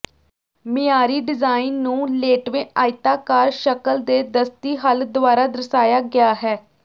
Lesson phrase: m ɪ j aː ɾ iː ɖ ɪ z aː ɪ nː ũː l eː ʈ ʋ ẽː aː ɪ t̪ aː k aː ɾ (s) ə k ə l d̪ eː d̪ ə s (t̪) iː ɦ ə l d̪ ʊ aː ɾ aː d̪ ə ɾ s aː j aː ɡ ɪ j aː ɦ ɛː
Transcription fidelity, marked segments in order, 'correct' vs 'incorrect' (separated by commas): incorrect, correct